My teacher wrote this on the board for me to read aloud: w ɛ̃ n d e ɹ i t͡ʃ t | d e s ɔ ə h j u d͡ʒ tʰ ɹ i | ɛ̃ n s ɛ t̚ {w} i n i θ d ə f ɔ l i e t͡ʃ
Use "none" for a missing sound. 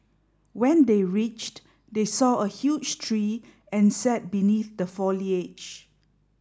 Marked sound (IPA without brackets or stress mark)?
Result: b